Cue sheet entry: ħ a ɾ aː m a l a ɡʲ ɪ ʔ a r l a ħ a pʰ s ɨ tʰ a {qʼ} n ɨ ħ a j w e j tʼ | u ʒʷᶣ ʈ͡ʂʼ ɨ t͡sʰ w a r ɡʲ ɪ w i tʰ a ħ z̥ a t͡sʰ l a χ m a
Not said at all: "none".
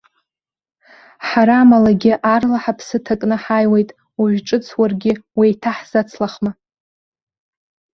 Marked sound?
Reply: kʼ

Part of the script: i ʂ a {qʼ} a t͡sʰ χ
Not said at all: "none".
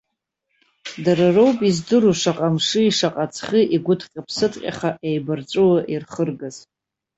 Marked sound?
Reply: qʼ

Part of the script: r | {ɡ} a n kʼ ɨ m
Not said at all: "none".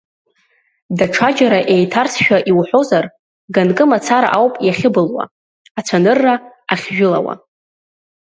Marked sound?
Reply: ɡ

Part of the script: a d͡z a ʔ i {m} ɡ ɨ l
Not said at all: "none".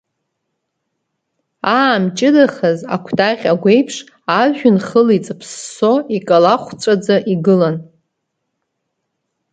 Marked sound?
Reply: none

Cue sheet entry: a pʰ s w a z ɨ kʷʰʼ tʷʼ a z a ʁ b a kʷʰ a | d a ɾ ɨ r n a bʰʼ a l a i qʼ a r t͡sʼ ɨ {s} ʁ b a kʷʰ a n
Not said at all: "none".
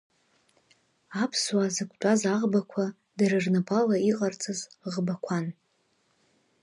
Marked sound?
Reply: z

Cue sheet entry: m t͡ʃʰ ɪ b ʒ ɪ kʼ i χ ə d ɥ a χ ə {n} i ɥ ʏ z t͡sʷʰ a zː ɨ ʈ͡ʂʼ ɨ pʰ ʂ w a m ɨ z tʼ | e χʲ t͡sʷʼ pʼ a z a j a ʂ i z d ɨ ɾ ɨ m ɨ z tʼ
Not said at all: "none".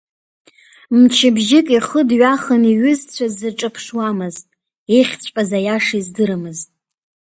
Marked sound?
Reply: n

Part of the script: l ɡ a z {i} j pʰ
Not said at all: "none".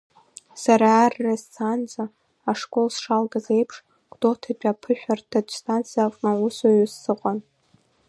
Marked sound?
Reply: e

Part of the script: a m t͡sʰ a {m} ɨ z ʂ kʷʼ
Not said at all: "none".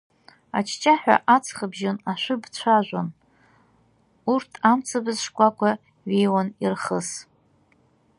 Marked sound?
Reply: b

